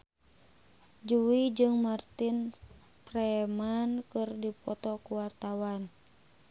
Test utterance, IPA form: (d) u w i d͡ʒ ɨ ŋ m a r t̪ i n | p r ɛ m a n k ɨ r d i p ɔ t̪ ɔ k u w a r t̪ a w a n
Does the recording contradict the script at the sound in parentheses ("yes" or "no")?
yes